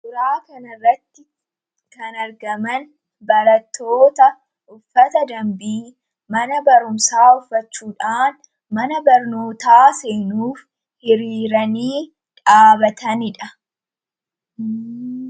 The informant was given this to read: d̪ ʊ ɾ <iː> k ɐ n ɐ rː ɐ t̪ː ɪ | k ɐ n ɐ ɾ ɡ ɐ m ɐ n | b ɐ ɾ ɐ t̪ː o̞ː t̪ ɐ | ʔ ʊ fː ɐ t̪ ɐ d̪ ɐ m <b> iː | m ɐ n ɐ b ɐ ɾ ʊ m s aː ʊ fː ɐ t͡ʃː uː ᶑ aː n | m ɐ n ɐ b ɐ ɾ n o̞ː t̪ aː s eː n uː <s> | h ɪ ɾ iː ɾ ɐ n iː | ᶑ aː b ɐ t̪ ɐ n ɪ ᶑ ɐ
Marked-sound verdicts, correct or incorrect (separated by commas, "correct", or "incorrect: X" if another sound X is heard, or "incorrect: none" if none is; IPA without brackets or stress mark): incorrect: aː, correct, incorrect: f